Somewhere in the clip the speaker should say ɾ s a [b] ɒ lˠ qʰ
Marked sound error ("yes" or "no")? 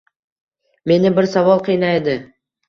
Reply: yes